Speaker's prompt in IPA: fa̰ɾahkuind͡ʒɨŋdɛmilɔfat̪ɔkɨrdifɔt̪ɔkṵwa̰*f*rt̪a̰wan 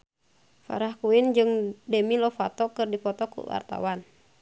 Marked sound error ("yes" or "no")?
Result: yes